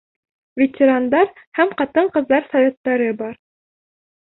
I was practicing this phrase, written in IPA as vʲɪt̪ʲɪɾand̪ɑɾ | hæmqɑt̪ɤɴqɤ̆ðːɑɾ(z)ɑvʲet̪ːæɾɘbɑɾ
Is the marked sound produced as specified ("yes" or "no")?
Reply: no